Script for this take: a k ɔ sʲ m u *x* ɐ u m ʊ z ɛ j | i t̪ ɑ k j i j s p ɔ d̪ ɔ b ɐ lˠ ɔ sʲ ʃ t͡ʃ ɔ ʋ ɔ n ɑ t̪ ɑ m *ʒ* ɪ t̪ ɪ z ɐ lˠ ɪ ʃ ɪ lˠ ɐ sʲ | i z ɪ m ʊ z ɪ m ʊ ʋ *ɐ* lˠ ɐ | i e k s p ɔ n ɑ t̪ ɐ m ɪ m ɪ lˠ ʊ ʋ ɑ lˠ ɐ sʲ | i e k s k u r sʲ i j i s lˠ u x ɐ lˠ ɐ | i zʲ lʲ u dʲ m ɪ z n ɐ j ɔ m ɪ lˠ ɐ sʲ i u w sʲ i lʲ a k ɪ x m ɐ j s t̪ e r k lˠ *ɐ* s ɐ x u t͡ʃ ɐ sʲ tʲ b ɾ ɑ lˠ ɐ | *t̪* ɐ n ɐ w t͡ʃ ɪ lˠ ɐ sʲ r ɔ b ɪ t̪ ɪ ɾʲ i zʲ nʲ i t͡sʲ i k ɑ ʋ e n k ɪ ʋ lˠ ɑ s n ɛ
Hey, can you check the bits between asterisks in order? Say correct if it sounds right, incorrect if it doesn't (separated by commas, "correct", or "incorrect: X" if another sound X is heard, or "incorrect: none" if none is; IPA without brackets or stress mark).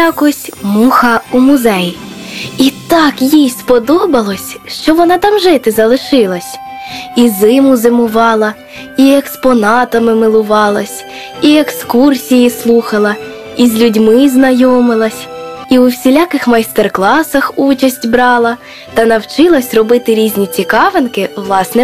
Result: correct, correct, incorrect: ɑ, incorrect: ɑ, correct